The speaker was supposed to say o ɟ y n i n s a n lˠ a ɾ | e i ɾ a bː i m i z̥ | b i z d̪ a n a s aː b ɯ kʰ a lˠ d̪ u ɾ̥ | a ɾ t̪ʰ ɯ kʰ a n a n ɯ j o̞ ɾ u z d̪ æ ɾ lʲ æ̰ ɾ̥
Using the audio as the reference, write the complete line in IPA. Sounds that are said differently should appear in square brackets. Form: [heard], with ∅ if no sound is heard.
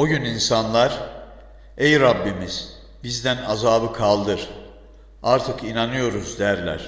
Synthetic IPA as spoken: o ɟ y n i n s a n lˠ a ɾ | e [j] ɾ a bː i m i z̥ | b i z d̪ [æ] n a [z] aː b ɯ kʰ a lˠ d̪ [ɯ] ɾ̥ | a ɾ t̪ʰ ɯ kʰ [i] n a n ɯ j o̞ ɾ u z d̪ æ ɾ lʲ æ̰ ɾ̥

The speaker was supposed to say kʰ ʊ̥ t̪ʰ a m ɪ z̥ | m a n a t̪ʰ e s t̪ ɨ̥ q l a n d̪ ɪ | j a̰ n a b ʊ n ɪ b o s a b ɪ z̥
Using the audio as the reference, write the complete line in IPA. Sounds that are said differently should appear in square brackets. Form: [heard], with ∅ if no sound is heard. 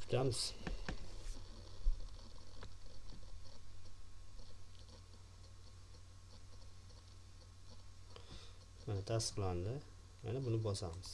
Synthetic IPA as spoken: kʰ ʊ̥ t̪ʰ a m ɪ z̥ | m a n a t̪ʰ [a] s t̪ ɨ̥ q l a n d̪ ɪ | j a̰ n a b ʊ n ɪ b [ɒ] s a [m] ɪ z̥

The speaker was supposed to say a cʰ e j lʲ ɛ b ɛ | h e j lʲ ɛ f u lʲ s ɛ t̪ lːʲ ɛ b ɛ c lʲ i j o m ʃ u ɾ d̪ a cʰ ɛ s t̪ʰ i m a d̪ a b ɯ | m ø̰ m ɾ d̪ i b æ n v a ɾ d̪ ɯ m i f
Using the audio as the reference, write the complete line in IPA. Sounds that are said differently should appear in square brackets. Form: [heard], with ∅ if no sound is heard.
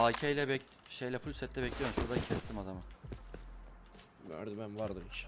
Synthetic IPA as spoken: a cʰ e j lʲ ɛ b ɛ | [ʃ] e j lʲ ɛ f u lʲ s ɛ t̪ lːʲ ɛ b ɛ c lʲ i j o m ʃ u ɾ d̪ a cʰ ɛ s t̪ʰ i m a d̪ a [m] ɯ | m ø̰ [∅] ɾ d̪ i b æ n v a ɾ d̪ ɯ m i [ʃ]

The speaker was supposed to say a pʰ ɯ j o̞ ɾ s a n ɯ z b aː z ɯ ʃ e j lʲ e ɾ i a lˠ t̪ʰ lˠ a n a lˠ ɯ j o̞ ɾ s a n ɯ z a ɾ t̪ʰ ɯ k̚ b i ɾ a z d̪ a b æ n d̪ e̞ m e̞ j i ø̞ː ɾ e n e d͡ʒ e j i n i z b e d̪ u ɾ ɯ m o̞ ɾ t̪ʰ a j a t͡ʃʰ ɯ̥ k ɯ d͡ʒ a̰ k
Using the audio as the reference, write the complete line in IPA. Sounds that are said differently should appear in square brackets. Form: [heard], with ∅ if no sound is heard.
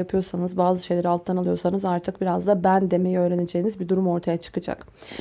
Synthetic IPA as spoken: a pʰ ɯ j o̞ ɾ s a n ɯ z b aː z ɯ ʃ e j lʲ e ɾ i a lˠ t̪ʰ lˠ a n a lˠ ɯ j o̞ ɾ s a n ɯ z a ɾ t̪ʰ ɯ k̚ b i ɾ a z d̪ a b æ n d̪ e̞ m e̞ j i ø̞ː ɾ e n e d͡ʒ e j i n i z b [i] d̪ u ɾ [u] m o̞ ɾ t̪ʰ a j a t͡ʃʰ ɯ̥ k ɯ d͡ʒ a̰ k

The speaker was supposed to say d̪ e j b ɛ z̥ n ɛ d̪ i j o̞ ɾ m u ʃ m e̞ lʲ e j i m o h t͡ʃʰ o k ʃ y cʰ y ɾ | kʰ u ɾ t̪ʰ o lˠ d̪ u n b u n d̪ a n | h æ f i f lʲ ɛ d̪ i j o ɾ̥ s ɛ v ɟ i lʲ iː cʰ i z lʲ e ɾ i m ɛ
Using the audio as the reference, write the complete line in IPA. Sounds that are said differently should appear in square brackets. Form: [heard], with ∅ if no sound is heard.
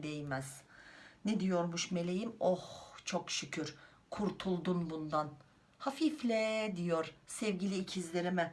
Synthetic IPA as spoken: d̪ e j [m] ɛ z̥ n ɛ d̪ i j o̞ ɾ m u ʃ m e̞ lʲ e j i m o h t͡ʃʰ o k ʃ y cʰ y ɾ | kʰ u ɾ t̪ʰ [u] lˠ d̪ u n b u n d̪ a n | h [a] f i f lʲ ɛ d̪ i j o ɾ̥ s ɛ v ɟ i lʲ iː cʰ i z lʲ e ɾ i m ɛ

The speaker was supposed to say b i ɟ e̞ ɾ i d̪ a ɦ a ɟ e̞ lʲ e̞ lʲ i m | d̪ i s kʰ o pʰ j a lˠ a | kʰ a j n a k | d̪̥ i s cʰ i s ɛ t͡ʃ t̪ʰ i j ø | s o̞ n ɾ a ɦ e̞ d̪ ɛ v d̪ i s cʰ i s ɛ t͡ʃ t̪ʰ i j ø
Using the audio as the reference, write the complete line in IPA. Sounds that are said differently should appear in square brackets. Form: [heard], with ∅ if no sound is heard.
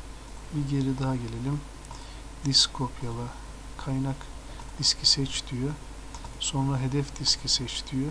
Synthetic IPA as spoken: b i ɟ e̞ ɾ i d̪ a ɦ a ɟ e̞ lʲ e̞ lʲ i m | d̪ i s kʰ o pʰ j a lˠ a | kʰ a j n a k | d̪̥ i s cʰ i s ɛ t͡ʃ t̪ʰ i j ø | s o̞ n ɾ a ɦ e̞ d̪ ɛ [f] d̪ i s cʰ i s ɛ t͡ʃ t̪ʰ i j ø

